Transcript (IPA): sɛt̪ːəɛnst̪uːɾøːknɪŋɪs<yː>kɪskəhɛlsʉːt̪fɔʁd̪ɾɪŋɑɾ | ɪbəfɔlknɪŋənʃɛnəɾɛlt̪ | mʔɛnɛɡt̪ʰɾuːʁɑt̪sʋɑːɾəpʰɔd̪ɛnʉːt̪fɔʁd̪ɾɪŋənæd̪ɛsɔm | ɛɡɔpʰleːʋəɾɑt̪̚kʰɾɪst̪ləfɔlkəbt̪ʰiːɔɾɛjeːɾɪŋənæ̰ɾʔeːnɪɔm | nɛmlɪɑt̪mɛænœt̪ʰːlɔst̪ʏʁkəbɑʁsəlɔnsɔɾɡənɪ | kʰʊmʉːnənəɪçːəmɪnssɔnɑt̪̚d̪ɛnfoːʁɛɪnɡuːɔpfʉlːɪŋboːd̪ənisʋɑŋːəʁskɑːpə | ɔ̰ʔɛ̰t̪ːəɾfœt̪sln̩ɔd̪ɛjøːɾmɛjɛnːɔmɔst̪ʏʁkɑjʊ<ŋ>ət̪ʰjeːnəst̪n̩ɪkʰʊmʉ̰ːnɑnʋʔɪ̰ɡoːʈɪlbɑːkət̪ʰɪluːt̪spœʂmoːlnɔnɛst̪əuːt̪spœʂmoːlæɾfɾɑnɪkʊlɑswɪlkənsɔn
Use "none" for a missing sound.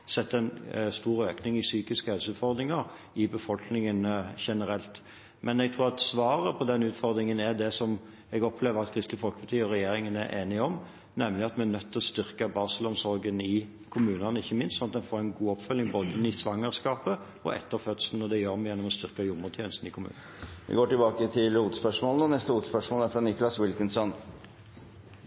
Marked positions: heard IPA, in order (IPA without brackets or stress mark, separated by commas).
yː, m